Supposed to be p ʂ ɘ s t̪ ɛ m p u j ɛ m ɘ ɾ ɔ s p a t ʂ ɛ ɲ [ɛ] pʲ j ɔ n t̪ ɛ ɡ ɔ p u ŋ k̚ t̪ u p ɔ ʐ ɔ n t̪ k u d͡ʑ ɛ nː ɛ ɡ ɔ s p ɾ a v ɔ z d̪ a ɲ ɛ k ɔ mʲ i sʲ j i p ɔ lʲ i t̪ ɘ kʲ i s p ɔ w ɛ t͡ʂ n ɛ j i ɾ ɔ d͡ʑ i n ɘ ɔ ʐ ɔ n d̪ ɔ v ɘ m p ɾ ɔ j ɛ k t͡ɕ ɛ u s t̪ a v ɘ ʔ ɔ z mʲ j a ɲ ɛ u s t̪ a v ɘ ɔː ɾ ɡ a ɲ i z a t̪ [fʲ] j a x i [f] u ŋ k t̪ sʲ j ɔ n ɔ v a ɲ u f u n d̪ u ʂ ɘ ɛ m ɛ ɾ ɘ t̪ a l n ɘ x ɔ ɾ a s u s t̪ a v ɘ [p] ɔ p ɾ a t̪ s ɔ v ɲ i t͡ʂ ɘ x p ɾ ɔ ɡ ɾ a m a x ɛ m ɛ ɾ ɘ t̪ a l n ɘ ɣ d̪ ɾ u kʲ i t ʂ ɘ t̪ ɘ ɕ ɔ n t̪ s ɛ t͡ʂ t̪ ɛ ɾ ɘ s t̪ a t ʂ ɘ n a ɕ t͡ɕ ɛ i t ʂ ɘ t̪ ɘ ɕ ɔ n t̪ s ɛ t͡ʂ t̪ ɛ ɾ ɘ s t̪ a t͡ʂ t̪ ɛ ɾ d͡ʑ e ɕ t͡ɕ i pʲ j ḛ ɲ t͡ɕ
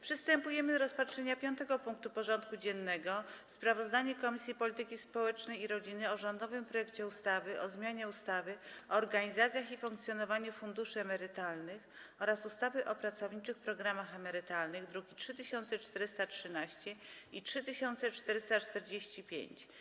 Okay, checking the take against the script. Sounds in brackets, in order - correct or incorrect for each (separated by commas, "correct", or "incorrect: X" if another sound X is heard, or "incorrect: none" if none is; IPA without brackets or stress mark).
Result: incorrect: a, incorrect: sʲ, correct, incorrect: ʔ